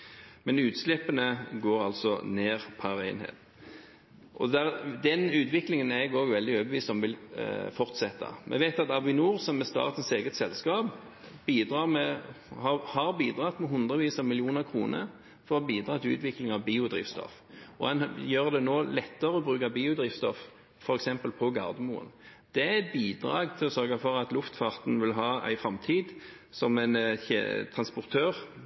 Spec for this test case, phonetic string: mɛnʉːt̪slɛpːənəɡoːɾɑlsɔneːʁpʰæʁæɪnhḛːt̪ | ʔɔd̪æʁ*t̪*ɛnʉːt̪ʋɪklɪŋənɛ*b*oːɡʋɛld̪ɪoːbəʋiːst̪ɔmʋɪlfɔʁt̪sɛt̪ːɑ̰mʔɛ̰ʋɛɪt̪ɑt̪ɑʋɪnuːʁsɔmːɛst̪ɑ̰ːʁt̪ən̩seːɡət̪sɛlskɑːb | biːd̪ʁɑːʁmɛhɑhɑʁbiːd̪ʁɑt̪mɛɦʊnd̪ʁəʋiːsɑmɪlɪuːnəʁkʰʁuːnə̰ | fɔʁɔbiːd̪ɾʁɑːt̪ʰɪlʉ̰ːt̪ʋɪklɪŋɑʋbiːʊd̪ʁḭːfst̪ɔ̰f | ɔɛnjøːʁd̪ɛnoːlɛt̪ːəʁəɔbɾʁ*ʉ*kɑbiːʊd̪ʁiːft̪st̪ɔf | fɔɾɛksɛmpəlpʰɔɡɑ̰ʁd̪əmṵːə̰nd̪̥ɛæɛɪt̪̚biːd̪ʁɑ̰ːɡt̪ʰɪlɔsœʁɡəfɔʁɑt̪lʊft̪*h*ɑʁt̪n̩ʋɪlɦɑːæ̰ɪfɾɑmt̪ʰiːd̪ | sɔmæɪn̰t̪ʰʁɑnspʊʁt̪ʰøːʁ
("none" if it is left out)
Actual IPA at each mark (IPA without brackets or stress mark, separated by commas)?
d̪, ɡ, ʉː, f